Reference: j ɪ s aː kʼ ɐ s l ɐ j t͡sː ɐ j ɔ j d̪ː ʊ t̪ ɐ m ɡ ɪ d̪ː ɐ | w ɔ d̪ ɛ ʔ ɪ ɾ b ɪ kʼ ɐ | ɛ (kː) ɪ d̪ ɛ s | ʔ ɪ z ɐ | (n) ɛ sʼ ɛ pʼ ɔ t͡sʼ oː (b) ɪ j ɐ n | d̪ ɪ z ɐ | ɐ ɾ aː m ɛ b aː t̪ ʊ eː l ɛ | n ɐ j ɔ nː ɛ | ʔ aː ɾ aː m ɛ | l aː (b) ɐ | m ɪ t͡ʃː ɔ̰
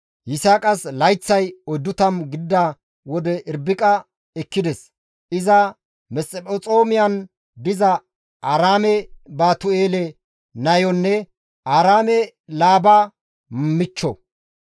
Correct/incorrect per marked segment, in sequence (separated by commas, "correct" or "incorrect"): correct, incorrect, incorrect, correct